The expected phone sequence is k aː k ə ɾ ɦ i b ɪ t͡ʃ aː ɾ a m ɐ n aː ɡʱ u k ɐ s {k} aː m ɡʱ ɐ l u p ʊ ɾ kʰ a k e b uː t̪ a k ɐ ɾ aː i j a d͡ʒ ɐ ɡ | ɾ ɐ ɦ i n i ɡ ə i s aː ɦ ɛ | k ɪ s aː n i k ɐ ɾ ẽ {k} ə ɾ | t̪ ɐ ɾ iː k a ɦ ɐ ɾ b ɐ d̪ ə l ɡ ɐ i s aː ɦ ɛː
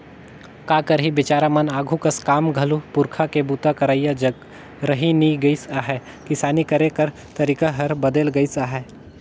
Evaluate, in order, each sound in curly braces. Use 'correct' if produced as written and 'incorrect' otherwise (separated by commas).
correct, correct